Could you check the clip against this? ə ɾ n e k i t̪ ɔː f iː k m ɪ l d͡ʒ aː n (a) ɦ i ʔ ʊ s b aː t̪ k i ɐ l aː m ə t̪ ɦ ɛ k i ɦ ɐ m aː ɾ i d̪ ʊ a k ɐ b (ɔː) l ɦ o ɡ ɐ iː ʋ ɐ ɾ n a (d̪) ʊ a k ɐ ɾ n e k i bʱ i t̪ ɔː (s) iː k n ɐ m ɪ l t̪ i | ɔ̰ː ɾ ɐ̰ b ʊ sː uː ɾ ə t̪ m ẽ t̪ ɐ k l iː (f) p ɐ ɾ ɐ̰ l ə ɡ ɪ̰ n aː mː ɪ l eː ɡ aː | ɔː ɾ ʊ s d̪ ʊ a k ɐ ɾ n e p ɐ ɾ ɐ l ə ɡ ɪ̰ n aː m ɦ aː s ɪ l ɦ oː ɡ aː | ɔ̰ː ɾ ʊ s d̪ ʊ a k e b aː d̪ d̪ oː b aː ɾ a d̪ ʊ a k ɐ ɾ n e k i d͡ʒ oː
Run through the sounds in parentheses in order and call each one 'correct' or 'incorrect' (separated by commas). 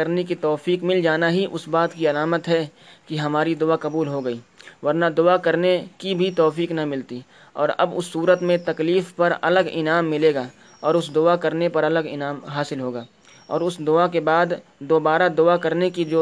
correct, incorrect, correct, incorrect, correct